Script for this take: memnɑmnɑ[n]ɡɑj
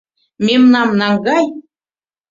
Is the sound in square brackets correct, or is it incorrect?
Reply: incorrect